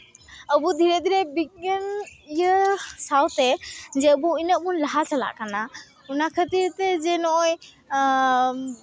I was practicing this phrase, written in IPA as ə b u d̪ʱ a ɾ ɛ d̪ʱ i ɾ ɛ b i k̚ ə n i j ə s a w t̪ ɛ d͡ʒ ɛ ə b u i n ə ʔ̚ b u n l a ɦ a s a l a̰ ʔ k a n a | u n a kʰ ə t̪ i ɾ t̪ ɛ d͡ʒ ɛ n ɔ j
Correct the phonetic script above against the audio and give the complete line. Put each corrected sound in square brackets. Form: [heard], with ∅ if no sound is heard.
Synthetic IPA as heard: ə b u d̪ʱ [i] ɾ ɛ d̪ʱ i ɾ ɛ b i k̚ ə n i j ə s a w t̪ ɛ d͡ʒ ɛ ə b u i n ə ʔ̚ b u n l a ɦ a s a l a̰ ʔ k a n a | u n a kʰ ə t̪ i ɾ t̪ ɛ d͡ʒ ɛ n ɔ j

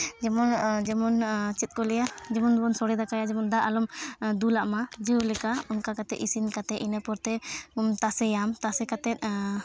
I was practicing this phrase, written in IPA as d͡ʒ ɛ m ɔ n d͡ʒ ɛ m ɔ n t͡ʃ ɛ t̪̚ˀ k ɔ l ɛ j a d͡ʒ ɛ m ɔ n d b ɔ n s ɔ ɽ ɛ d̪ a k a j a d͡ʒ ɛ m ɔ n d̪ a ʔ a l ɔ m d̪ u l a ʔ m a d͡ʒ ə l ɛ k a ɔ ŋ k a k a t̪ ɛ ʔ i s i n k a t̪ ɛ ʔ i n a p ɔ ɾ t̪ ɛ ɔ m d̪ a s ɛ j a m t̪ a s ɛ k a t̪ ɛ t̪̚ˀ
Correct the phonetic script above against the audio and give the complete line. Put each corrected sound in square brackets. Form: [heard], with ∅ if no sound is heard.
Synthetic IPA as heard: d͡ʒ ɛ m ɔ n d͡ʒ ɛ m ɔ n t͡ʃ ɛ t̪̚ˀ k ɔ l ɛ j a d͡ʒ ɛ m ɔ n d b ɔ n s ɔ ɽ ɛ d̪ a k a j a d͡ʒ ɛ m ɔ n d̪ a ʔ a l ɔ m d̪ u l a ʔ m a d͡ʒ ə l ɛ k a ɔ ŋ k a k a t̪ ɛ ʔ i s i n k a t̪ ɛ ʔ i n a p ɔ ɾ t̪ ɛ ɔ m [t̪] a s ɛ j a m t̪ a s ɛ k a t̪ ɛ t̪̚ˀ

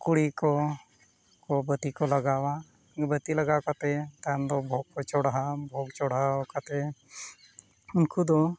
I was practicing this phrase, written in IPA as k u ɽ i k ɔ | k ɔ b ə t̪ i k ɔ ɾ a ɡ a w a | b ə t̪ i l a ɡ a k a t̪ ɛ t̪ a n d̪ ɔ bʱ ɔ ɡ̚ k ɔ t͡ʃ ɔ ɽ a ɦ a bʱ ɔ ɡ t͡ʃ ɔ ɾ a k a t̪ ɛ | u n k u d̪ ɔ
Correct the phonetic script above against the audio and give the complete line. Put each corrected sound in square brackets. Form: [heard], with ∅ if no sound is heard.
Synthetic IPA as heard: k u ɽ i k ɔ | k ɔ b ə t̪ i k ɔ [l] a ɡ a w a | b ə t̪ i l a ɡ a k a t̪ ɛ t̪ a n d̪ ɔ bʱ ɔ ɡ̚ k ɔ t͡ʃ ɔ ɽ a ɦ a bʱ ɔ ɡ t͡ʃ ɔ [ɽ] a k a t̪ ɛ | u n k u d̪ ɔ

